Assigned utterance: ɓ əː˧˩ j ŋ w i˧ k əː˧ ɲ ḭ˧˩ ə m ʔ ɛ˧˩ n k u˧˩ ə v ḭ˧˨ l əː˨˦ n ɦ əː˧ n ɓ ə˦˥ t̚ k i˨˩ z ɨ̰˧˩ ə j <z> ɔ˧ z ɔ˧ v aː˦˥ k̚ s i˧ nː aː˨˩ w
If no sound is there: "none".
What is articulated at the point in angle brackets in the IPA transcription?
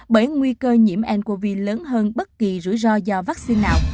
z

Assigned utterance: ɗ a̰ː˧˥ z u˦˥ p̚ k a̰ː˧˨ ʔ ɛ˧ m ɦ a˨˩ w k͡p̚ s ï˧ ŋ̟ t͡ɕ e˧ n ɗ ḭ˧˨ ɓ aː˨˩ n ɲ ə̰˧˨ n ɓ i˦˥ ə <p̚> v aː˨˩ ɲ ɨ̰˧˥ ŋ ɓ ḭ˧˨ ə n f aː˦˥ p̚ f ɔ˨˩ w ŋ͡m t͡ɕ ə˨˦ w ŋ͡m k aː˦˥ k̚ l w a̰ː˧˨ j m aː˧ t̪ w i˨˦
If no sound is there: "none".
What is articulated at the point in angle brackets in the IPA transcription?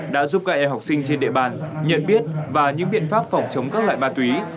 t̚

